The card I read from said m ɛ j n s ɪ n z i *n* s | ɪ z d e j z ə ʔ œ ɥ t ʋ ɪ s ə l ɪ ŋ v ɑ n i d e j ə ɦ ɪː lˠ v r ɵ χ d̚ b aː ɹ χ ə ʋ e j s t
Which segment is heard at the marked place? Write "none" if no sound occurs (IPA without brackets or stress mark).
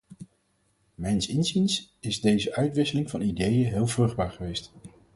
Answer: n